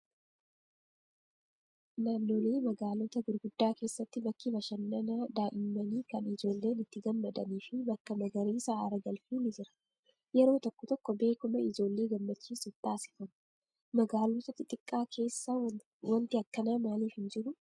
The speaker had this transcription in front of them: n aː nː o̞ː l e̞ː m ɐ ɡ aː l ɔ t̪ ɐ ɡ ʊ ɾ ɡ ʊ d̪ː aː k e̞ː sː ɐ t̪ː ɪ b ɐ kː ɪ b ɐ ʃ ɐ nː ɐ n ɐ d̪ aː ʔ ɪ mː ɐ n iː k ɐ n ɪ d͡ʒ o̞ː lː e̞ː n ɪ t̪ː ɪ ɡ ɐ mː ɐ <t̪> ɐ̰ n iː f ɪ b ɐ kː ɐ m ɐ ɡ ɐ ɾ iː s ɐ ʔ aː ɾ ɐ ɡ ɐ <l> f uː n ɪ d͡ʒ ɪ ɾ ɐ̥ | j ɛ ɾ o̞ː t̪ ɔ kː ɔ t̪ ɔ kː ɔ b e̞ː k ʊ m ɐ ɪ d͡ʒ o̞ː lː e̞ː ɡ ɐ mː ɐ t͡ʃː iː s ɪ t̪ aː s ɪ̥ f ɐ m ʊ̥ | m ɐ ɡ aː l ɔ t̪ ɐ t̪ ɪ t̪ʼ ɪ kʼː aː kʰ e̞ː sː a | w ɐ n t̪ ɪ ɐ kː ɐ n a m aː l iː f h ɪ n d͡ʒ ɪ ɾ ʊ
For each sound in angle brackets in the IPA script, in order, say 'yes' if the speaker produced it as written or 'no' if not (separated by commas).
no, yes